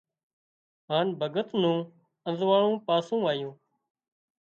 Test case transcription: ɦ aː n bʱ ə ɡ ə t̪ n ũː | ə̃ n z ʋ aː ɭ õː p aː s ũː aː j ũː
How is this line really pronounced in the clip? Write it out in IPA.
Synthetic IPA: ɦ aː n bʱ ə ɡ ə t̪ n ũː | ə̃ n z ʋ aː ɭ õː p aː s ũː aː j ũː